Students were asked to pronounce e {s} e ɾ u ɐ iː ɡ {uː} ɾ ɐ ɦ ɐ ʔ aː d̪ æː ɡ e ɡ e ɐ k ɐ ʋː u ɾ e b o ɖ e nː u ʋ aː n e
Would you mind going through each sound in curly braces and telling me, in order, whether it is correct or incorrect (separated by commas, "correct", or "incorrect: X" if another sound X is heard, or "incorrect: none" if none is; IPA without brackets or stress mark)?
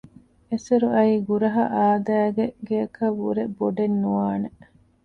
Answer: correct, incorrect: u